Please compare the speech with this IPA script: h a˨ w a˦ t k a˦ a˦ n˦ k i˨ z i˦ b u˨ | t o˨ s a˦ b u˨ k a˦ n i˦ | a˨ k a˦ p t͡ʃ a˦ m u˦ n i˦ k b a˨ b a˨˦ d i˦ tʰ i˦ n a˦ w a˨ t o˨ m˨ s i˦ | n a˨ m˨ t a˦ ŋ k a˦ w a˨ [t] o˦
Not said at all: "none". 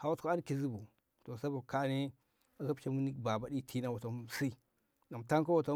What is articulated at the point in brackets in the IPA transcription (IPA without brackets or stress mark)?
t